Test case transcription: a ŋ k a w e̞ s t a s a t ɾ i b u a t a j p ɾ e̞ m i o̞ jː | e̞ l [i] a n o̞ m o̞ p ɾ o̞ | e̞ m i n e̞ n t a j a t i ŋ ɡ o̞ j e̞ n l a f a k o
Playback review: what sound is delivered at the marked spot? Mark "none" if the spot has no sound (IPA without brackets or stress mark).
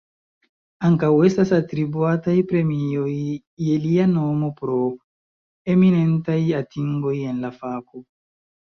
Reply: i